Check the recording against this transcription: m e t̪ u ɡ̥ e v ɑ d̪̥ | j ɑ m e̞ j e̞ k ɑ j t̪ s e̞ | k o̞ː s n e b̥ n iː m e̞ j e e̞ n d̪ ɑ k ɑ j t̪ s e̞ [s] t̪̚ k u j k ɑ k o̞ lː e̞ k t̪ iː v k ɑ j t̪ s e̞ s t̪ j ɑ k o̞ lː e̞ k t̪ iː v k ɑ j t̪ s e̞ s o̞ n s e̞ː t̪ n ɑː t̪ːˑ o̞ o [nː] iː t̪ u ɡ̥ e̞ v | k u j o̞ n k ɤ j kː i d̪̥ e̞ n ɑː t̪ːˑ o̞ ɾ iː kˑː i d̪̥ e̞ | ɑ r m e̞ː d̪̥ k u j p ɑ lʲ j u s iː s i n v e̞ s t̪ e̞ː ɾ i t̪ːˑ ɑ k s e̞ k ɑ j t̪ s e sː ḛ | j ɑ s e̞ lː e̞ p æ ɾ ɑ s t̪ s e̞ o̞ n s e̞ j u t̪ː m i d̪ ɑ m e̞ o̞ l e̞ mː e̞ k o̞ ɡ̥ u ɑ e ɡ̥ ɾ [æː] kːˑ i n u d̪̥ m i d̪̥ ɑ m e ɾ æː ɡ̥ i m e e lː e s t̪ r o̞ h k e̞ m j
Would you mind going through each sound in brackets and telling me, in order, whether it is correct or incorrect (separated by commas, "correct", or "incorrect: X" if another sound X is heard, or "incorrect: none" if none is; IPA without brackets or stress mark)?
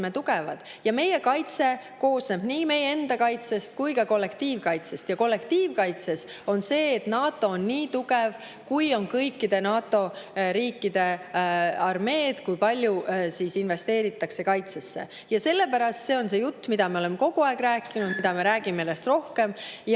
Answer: correct, correct, correct